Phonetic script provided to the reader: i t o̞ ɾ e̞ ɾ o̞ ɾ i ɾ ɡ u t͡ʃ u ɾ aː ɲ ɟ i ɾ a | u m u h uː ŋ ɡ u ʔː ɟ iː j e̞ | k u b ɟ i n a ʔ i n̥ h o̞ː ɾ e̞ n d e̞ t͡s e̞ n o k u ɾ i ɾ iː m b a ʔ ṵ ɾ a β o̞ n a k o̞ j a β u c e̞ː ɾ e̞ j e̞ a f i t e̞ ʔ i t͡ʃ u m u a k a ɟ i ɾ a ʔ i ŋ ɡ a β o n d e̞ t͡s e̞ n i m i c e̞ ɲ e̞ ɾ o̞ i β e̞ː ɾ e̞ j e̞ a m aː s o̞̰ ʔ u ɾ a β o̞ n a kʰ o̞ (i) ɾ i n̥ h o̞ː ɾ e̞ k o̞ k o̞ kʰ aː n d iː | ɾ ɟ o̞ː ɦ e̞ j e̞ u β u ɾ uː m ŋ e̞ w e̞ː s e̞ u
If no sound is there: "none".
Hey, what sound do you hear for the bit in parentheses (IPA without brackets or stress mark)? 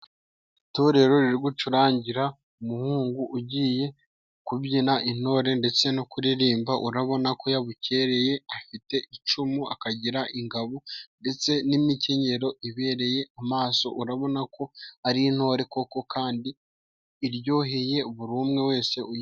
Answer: a